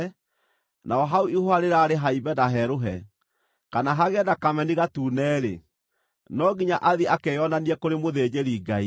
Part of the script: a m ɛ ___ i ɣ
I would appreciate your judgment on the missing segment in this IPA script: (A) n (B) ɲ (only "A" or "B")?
A